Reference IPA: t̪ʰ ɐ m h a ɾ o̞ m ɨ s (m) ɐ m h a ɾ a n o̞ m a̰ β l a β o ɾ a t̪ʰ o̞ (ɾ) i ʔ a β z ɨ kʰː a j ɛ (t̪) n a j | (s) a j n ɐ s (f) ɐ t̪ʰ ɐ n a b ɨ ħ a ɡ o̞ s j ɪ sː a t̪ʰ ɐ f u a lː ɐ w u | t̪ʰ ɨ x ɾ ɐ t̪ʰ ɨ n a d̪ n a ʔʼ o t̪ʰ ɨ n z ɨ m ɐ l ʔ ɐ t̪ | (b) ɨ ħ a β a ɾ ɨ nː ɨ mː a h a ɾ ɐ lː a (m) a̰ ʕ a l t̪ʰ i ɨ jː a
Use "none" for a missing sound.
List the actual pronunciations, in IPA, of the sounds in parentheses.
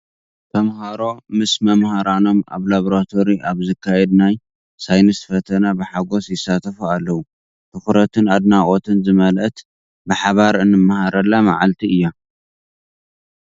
m, ɾ, d̪, s, f, b, m

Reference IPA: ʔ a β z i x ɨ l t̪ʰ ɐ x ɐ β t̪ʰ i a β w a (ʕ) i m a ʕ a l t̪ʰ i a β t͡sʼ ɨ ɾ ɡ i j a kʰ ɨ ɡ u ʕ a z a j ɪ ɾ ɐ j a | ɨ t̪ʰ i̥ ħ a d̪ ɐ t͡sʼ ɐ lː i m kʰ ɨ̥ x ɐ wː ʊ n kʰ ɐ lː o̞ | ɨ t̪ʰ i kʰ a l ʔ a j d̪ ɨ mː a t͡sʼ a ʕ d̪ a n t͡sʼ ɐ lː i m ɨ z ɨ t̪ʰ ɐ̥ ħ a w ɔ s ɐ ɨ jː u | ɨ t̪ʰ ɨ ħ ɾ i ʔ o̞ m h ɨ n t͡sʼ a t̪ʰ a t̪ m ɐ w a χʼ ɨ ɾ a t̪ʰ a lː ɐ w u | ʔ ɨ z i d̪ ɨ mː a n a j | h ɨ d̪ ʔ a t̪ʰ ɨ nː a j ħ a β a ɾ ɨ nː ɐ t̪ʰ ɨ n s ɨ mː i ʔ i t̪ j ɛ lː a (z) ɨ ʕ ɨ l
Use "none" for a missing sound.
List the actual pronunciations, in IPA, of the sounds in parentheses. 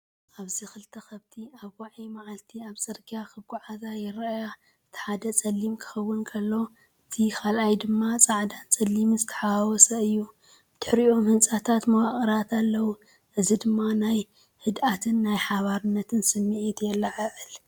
ʕ, ʕ

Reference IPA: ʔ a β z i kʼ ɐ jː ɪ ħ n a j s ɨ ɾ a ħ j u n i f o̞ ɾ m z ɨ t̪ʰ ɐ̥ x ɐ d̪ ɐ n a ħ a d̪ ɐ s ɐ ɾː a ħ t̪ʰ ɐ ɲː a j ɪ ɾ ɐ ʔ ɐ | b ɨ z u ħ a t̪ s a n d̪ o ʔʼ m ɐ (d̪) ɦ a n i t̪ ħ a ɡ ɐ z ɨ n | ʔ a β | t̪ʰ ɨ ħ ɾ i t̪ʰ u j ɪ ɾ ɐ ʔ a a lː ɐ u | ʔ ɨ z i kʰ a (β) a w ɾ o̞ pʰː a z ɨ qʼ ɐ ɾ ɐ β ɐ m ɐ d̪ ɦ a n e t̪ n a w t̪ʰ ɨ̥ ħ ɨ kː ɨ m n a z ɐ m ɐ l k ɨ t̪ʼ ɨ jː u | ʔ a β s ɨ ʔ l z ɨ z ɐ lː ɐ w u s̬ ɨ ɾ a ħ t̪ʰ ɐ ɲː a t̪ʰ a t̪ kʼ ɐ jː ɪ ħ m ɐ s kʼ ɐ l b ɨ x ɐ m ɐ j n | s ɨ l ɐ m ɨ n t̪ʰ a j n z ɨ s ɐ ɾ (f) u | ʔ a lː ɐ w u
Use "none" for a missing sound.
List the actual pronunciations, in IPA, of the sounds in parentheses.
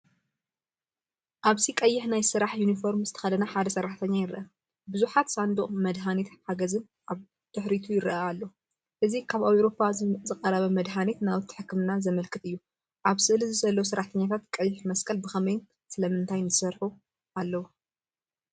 d̪, β, ħ

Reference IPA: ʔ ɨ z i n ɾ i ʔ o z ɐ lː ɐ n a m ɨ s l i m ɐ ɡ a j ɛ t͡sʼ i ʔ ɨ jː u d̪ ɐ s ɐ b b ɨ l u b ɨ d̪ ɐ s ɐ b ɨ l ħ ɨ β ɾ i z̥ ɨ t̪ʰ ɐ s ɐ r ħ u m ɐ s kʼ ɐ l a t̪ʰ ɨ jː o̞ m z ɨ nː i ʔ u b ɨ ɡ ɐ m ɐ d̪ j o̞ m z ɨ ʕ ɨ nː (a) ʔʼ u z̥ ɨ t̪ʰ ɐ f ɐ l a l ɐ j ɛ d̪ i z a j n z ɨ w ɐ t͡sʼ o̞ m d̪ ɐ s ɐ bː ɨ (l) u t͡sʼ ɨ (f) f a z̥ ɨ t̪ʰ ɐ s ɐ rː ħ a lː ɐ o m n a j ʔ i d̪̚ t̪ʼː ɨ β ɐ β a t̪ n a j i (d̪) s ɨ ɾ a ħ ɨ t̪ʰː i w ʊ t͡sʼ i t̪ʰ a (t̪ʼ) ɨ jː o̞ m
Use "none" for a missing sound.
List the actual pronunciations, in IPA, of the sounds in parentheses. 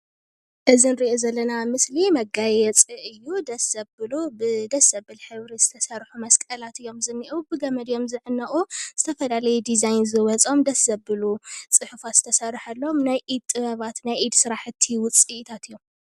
ɐ, l, ħ, d̪, t̪

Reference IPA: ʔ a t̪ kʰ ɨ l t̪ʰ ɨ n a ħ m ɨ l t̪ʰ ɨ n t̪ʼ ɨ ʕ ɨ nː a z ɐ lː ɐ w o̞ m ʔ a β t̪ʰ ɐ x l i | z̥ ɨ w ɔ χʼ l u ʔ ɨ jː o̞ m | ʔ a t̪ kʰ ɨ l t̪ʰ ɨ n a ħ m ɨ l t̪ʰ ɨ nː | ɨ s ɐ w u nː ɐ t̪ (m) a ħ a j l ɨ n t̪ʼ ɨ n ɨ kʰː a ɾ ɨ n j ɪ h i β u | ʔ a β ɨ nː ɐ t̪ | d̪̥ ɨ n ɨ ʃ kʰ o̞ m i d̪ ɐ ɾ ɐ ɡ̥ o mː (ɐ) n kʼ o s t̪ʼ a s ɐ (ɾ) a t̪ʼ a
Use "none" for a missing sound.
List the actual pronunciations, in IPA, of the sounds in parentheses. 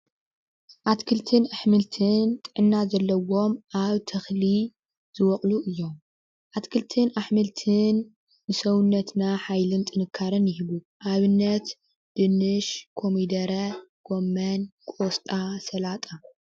n, ɐ, l

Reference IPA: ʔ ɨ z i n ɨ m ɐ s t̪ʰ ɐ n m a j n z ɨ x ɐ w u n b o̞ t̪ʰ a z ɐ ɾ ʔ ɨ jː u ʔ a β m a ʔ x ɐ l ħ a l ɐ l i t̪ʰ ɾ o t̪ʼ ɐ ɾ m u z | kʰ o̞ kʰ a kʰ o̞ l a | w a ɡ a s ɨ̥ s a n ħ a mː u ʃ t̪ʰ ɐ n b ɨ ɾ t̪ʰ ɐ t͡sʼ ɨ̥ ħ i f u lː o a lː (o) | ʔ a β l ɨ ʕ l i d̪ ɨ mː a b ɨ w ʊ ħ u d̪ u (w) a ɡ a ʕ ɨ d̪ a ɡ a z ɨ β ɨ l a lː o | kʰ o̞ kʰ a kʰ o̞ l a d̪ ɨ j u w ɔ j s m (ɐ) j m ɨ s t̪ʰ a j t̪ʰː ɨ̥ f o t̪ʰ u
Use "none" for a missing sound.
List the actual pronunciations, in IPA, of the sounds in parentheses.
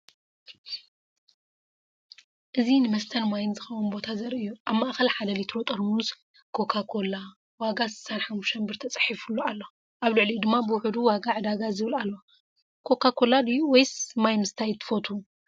o, w, a

